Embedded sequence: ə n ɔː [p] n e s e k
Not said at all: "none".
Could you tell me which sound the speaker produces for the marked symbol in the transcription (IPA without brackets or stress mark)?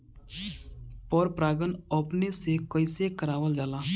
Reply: p